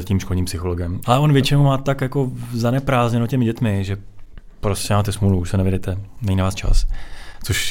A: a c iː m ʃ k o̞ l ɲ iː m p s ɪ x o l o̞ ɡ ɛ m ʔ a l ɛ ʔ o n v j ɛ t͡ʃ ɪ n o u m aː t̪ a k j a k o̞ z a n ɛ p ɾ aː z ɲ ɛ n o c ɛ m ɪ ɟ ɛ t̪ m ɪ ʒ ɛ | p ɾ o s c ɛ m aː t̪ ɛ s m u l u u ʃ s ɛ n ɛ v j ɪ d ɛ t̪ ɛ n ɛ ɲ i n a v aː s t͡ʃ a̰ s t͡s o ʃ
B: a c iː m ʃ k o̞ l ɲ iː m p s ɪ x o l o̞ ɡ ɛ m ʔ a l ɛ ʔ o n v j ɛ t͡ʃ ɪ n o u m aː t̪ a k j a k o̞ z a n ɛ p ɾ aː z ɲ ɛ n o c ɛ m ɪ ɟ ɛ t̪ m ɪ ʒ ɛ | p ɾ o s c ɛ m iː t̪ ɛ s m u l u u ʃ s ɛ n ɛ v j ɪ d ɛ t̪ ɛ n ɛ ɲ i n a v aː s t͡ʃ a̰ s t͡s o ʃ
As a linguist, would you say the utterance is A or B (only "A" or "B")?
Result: A